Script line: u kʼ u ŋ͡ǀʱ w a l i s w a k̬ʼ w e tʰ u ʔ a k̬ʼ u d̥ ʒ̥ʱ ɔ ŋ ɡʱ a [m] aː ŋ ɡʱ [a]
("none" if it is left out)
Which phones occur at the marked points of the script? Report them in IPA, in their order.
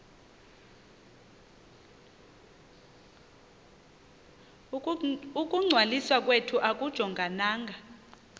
n, a

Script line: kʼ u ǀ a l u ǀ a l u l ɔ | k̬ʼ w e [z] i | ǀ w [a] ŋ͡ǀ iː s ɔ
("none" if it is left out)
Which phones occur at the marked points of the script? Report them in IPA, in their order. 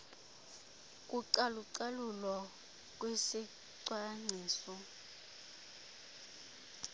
s, a

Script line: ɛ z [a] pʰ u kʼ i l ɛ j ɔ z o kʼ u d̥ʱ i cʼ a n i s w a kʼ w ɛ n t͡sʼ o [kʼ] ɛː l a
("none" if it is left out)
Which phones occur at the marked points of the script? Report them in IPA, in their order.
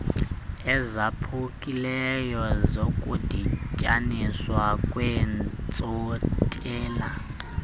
a, tʼ

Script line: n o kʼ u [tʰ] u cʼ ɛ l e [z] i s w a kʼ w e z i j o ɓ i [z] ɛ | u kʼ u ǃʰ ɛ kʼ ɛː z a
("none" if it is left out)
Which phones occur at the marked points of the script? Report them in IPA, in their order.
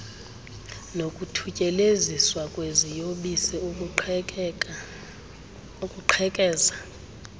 tʰ, z, s

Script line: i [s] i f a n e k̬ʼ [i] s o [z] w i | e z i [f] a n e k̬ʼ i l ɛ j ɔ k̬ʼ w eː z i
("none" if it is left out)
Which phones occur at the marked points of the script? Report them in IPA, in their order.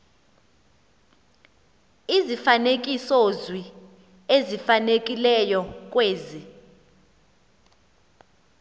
z, i, z, f

